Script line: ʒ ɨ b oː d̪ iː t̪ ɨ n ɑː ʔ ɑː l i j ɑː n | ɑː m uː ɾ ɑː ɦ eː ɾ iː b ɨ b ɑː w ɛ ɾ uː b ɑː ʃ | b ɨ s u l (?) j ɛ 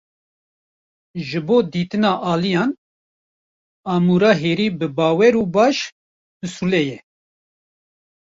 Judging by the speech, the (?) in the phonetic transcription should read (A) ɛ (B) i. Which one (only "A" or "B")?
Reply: A